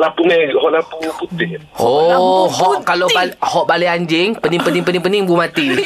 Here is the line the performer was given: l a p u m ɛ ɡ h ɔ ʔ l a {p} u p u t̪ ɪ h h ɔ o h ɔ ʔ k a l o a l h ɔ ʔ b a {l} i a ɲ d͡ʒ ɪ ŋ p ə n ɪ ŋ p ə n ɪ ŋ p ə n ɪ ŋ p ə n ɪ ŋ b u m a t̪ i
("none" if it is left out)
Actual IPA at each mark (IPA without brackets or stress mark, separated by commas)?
p, l